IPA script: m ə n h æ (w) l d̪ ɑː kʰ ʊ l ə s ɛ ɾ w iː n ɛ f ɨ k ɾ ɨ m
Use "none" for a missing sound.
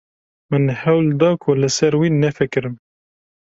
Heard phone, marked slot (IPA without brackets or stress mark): w